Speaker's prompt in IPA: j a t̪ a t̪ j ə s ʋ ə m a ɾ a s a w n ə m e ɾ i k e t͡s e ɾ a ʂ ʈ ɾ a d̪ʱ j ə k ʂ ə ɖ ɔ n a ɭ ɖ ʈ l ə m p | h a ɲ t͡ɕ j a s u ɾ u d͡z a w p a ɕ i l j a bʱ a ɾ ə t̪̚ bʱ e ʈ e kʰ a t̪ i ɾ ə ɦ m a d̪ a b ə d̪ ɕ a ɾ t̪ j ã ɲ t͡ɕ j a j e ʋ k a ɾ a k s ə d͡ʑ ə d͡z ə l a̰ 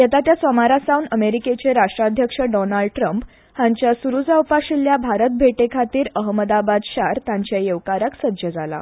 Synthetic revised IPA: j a t̪ a t̪ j a s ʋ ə m a ɾ a s a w n ə m e ɾ i k e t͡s e ɾ a ʂ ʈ ɾ a d̪ʱ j ə k ʂ ə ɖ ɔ n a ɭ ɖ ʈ ɾ ə m p | h a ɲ t͡ɕ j a s u ɾ u d͡z a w p a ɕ i l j a bʱ a ɾ ə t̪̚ bʱ e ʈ e kʰ a t̪ iː ɾ ə ɦ m ə d̪ a b a d̪ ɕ a ɾ t̪ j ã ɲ t͡ɕ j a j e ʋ k a ɾ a k s ə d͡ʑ ə d͡z a l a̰

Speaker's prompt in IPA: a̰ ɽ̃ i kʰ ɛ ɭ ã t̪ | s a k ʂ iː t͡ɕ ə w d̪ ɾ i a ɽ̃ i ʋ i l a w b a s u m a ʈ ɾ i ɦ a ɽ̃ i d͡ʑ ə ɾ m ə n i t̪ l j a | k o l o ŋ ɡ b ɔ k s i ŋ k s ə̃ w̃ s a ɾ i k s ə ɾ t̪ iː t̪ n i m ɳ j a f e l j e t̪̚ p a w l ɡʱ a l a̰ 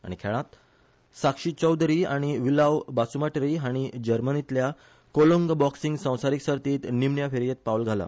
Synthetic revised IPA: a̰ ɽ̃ i kʰ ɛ ɭ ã t̪ | s a k ʂ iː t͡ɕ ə w d̪ ɾ i a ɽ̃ i ʋ i l a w b a s u m a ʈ ɾ i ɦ a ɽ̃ i d͡ʑ ə ɾ m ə n i t̪ l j a | k o l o ŋ ɡ b ɔ k s i ŋ ɡ s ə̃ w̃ s a ɾ i k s ə ɾ t̪ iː t̪ n i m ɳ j a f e ɾ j e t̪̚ p a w l ɡʱ a l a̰

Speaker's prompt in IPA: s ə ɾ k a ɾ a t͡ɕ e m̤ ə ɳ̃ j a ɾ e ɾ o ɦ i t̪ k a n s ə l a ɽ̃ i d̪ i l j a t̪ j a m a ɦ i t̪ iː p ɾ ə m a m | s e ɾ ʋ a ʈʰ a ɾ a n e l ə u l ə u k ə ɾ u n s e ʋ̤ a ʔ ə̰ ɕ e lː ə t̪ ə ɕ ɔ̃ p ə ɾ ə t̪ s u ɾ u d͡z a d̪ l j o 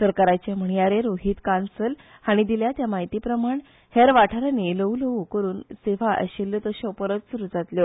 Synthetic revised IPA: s ə ɾ k a ɾ a t͡ɕ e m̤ ə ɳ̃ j a ɾ e ɾ o ɦ i t̪ k a n s ə l a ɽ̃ i d̪ i l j a t̪ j a m a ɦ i t̪ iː p ɾ ə m a ɳ | h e ɾ ʋ a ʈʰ a ɾ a n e l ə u l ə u k ə ɾ uː n s e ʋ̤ a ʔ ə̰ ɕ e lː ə t̪ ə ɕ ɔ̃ p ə ɾ ə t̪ s u ɾ u d͡z a t̪ l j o

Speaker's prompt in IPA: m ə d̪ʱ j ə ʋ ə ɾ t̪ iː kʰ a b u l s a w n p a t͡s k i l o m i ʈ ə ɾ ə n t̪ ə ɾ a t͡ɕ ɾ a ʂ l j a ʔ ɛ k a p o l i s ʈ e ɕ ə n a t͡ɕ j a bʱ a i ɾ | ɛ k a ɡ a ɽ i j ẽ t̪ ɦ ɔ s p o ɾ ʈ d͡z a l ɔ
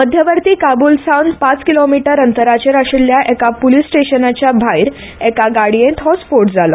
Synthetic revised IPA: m ə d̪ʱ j ə ʋ ə ɾ t̪ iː k a b u l s a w n p a t͡s k i l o m i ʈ ə ɾ ə n t̪ ə ɾ a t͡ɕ ɾ a ʂ l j a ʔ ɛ k a p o l i s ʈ e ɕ ə n a t͡ɕ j a bʱ a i ɾ | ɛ k a ɡ a ɽ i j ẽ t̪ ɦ ɔ s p o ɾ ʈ d͡z a l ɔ

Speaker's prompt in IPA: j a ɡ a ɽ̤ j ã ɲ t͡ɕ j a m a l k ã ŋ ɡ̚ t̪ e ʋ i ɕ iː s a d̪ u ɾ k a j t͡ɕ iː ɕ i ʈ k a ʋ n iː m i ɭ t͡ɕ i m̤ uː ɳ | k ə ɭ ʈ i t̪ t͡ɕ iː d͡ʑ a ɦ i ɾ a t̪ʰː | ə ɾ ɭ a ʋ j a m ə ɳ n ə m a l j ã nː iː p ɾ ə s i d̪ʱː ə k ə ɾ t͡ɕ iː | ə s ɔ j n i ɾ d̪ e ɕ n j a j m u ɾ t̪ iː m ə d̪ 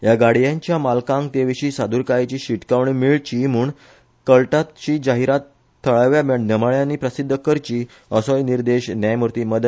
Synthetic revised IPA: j a ɡ a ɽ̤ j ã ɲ t͡ɕ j a m a l k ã ŋ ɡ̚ t̪ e ʋ i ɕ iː s a d̪ u ɾ k a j t͡ɕ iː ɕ i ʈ k a ʋ ɳ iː m i ɭ t͡ɕ i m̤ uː ɳ | k ə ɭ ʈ a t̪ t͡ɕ iː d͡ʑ a ɦ i ɾ a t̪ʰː | ə ɭ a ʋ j a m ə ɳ n ə m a ɭ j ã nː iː p ɾ ə s i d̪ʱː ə k ə ɾ t͡ɕ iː | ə s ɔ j n i ɾ d̪ e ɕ n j a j m u ɾ t̪ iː m ə d̪

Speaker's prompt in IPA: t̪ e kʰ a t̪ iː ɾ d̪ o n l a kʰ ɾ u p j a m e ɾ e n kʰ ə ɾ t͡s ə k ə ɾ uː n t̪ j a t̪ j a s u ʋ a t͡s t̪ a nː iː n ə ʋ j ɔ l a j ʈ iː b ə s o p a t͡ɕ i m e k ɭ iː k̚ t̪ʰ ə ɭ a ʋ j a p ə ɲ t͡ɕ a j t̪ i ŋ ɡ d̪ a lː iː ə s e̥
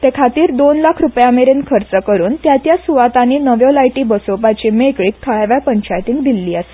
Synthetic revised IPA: t̪ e kʰ a t̪ iː ɾ d̪ o n l a kʰ ɾ u p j a m e ɾ e n kʰ ə ɾ t͡s ə k ə ɾ uː n t̪ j a t̪ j a s u ʋ a t̪ a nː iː n ə ʋ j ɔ l a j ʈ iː b ə s o p a t͡ɕ i m e k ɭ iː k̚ t̪ʰ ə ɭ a ʋ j a p ə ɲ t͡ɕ a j t̪ i ŋ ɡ d̪ i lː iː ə s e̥

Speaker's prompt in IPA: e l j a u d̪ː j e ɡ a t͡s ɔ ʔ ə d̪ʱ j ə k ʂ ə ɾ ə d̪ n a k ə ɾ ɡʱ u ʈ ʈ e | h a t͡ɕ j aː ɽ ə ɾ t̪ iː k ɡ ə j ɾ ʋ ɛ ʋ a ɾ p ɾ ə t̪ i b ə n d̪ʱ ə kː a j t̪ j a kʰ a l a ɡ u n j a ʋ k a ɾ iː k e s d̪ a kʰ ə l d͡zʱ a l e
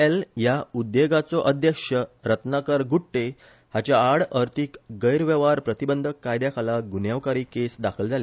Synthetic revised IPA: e l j a u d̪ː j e ɡ a t͡s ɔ ʔ ə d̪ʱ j ə k ʂ ə ɾ ə t̪ n a k ə ɾ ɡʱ u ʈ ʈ e | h a t͡ɕ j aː ɽ ə ɾ t̪ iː k ɡ ə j ɾ ʋ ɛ ʋ a ɾ p ɾ ə t̪ i b ə n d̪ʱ ə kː a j d̪ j a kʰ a l a ɡ u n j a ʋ k a ɾ iː k e s d̪ a kʰ ə l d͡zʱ a l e

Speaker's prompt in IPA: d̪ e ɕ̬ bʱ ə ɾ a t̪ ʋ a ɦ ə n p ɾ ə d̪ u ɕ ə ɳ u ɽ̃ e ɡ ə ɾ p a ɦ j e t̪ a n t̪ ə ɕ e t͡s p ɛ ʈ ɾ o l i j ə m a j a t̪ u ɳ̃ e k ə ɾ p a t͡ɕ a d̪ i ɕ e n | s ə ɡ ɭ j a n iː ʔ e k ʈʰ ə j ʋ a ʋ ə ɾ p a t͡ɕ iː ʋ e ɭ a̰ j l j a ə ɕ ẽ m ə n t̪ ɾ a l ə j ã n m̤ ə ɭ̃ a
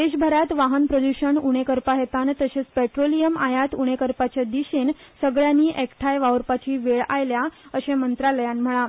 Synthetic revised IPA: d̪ e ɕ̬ bʱ ə ɾ a t̪ ʋ a ɦ ə n p ɾ ə d̪ u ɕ ə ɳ u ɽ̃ e k ə ɾ p a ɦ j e t̪ a n t̪ ə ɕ e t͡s p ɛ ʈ ɾ o l i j ə m a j a t̪ u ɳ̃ e k ə ɾ p a t͡ɕ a d̪ i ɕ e n | s ə ɡ ɭ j a n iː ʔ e k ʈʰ a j ʋ a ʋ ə ɾ p a t͡ɕ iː ʋ e ɭ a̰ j l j a ə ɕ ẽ m ə n t̪ ɾ a l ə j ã n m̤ ə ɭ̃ a

